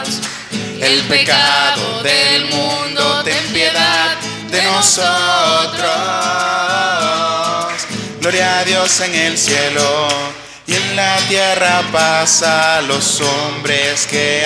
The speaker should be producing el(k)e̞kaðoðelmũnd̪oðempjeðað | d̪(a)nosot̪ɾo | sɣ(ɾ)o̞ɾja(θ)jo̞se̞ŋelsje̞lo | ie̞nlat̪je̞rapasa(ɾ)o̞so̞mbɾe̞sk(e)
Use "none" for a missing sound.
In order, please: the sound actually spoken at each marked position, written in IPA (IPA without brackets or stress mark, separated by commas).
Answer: p, e, l, ð, l, e